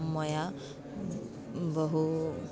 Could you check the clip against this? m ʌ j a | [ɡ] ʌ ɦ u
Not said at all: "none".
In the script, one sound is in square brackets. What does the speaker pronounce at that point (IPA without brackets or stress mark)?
b